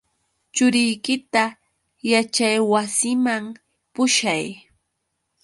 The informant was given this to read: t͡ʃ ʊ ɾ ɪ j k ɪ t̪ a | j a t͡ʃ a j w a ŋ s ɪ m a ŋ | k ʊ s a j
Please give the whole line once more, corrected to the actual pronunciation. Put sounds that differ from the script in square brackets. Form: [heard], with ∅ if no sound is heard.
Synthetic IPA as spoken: t͡ʃ ʊ ɾ ɪ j k ɪ t̪ a | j a t͡ʃ a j w a [∅] s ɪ m a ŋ | [p] ʊ [ʃ] a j